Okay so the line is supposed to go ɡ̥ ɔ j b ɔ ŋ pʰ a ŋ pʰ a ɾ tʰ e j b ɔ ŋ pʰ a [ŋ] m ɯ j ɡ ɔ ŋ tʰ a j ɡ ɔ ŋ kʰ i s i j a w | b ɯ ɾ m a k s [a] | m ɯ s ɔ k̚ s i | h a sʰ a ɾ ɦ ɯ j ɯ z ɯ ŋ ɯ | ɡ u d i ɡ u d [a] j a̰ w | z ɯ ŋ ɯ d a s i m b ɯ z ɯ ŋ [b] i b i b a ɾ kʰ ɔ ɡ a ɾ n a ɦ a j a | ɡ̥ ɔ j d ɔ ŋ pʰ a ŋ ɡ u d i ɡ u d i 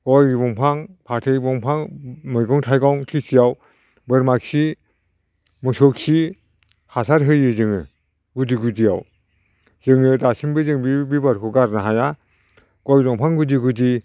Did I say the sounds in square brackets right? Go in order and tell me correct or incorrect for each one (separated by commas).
correct, incorrect, incorrect, correct